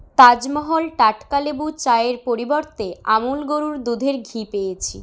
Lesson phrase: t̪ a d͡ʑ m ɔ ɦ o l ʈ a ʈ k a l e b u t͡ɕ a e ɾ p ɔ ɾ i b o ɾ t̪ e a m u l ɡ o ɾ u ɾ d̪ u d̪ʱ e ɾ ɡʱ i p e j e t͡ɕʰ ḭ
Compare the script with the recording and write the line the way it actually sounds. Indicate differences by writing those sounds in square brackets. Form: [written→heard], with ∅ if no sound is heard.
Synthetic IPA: t̪ a d͡ʑ m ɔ ɦ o l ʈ a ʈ k a l e b u t͡ɕ a e ɾ p [ɔ→o] ɾ i b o ɾ t̪ e a m u l ɡ o ɾ u ɾ d̪ u d̪ʱ e ɾ ɡʱ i p e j e t͡ɕʰ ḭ